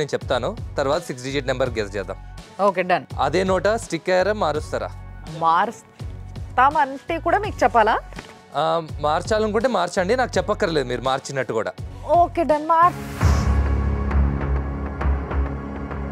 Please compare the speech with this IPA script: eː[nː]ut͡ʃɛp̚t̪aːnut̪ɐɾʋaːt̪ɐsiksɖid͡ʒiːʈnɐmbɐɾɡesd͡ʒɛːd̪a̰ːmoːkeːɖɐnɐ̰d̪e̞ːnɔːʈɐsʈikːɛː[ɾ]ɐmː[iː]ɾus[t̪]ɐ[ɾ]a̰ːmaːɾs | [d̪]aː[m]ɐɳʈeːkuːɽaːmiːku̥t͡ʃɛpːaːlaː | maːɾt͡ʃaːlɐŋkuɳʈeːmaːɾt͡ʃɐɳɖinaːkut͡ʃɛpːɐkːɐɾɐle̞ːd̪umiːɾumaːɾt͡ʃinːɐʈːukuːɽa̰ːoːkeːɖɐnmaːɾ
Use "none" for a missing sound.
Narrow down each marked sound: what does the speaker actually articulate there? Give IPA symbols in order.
n, ɾ, aː, t̪, ɾ, t̪, m

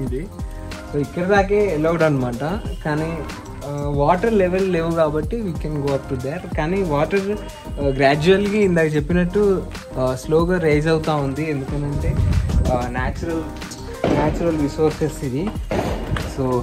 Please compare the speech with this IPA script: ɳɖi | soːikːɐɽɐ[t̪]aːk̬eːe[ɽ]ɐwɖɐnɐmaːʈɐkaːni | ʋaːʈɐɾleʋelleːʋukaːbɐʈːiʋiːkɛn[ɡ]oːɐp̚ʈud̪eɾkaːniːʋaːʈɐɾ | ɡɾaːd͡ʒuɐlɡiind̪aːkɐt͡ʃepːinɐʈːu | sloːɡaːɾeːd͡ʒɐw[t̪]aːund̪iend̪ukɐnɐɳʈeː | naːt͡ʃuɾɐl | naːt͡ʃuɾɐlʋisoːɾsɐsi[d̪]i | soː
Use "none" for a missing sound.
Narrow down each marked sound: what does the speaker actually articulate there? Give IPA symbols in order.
d̪, l, ɡ, t̪, d̪

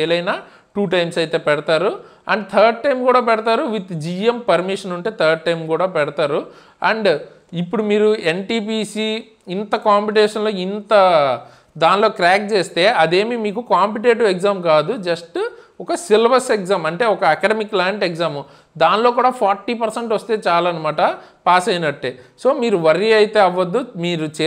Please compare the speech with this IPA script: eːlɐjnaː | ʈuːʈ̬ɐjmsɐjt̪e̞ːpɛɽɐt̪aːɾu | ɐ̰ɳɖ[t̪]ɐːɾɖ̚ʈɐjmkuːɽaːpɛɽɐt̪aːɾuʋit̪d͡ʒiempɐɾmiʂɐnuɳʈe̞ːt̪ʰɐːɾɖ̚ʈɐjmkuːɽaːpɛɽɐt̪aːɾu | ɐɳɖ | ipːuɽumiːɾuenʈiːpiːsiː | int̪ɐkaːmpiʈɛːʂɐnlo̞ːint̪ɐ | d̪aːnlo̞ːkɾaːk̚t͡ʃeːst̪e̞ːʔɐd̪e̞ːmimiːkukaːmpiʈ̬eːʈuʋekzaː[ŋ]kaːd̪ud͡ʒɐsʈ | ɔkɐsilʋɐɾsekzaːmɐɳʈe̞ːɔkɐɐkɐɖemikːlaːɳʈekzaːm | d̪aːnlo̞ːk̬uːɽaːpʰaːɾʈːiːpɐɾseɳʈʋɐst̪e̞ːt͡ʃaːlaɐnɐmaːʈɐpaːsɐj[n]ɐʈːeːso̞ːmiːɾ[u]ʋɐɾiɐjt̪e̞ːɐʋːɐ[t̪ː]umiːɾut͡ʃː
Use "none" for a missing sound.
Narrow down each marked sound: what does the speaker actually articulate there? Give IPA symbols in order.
t̪ʰ, m, n, u, d̪ː

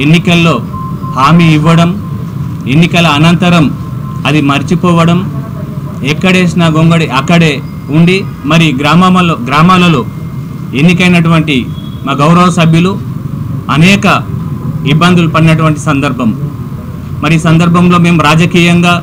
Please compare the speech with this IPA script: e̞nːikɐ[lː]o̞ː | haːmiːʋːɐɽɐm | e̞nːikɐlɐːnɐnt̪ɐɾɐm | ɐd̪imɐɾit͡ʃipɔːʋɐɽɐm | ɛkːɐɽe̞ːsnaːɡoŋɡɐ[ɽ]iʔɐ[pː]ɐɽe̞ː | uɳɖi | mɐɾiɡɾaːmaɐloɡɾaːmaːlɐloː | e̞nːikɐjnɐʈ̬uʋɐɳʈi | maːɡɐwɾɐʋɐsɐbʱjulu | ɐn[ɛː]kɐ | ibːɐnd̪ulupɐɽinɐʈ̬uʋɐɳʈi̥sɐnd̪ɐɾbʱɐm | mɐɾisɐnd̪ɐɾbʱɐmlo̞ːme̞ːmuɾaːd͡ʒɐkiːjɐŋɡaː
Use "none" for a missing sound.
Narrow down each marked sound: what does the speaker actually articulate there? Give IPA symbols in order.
lː, ɽ, kː, ɛː

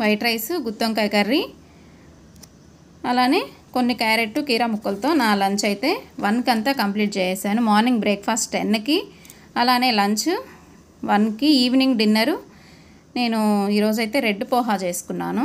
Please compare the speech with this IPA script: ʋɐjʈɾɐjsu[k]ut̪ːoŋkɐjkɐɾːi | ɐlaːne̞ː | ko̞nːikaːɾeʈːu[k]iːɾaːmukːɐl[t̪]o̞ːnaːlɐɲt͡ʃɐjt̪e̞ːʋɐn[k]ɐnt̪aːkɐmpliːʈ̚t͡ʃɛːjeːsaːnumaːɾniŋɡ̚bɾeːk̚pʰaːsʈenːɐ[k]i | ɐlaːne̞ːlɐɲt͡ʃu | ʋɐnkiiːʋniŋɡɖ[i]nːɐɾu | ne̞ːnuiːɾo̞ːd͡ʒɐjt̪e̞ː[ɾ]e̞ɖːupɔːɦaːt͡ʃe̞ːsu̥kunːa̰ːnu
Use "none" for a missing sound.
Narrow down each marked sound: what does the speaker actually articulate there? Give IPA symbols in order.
ɡ, k, t̪, k, k, i, ɾ

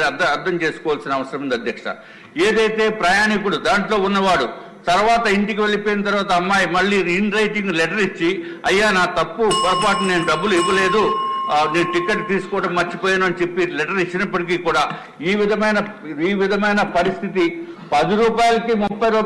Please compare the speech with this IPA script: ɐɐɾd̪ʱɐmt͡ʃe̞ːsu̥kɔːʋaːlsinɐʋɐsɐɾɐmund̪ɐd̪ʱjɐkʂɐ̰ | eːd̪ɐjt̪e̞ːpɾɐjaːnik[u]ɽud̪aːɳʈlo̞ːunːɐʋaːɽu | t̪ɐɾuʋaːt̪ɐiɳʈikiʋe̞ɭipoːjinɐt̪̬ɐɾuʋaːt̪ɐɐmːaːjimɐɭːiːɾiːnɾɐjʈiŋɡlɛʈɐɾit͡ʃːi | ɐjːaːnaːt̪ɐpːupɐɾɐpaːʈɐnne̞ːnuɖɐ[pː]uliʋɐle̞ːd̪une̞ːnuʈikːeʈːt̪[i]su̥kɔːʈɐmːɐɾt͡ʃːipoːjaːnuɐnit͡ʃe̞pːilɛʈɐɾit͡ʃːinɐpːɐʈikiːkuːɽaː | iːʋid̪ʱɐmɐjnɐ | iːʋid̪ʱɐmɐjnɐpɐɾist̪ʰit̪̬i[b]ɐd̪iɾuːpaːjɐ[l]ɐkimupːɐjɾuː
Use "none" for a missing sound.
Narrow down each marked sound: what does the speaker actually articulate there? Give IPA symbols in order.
u, bː, iː, p, l

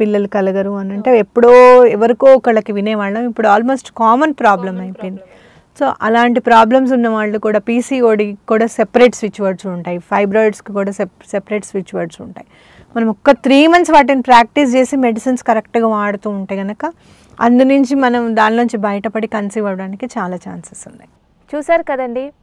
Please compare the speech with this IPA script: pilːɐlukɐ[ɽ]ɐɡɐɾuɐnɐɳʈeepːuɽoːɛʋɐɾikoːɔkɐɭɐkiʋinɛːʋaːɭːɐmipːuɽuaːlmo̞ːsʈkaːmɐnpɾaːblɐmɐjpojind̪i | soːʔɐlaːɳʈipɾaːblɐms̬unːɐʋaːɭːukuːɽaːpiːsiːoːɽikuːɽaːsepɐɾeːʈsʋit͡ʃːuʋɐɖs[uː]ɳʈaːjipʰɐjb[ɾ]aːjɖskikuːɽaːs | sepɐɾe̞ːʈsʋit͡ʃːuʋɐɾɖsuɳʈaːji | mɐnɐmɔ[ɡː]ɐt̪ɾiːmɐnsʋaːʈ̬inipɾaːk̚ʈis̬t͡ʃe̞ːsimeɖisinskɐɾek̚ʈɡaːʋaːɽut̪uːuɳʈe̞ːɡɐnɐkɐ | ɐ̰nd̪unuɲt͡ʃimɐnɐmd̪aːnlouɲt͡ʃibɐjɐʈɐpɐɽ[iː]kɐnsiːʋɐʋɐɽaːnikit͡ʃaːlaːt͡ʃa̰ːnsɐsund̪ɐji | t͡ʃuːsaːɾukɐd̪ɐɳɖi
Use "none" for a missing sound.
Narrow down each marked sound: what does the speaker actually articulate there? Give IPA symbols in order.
l, u, ɾ, kː, i

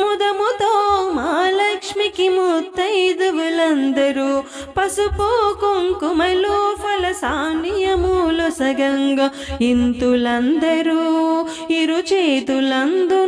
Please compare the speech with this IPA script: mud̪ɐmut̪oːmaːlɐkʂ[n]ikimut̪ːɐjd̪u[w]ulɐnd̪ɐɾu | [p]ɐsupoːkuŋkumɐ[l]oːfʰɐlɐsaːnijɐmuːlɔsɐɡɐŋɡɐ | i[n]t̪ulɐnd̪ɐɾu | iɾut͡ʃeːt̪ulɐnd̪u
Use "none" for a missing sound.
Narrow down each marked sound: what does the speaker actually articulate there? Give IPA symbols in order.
m, ʋ, p, l, n

